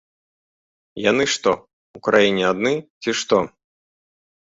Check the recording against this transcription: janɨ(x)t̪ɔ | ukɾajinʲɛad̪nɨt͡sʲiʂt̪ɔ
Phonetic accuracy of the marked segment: incorrect: ʂ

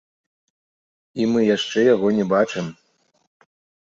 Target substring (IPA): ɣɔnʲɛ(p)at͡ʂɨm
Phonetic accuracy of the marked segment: incorrect: b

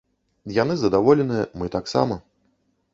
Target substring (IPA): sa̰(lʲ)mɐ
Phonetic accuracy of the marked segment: incorrect: none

